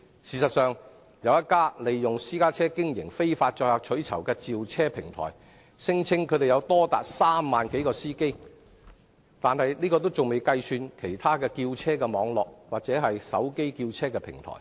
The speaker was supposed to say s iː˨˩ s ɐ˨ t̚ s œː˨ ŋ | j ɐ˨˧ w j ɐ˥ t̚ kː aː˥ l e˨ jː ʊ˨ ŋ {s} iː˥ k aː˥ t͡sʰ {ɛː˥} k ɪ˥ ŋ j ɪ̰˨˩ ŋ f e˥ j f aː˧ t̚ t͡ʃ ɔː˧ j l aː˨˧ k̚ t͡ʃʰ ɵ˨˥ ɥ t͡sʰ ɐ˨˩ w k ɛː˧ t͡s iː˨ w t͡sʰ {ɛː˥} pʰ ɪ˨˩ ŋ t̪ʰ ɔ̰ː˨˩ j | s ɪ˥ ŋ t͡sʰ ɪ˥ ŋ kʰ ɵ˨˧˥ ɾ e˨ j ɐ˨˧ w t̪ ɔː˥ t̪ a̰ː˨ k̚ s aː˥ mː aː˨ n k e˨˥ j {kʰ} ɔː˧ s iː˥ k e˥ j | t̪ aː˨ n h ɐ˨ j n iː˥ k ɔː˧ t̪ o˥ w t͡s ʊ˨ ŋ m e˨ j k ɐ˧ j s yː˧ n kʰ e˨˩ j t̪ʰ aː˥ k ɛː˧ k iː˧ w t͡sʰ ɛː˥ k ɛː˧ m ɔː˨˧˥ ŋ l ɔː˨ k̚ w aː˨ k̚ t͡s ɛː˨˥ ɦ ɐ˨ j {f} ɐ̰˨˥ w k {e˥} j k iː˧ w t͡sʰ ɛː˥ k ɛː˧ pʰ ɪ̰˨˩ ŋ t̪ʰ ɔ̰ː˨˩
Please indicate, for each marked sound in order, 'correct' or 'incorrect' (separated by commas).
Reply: correct, correct, correct, incorrect, incorrect, correct